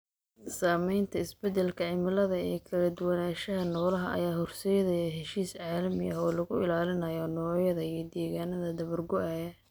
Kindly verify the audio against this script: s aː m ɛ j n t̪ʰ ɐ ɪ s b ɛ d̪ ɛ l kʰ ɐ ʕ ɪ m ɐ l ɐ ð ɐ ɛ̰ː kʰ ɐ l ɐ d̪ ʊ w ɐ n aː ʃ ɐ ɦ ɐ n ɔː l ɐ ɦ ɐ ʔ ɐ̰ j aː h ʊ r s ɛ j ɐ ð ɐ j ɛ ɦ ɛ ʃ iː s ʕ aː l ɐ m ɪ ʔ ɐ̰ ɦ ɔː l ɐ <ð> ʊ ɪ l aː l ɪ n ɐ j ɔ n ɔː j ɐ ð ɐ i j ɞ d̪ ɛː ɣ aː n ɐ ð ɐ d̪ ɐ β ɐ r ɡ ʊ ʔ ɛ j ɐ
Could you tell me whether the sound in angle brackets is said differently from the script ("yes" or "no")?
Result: yes